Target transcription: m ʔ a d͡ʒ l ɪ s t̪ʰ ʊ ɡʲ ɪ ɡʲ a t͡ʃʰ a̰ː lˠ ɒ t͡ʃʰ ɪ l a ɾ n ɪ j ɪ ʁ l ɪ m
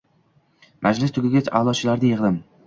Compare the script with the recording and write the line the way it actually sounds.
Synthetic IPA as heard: m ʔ a d͡ʒ l ɪ s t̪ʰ ʊ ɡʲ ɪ ɡʲ a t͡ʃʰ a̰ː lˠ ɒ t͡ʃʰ ɪ l a ɾ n ɪ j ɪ ʁ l ɪ m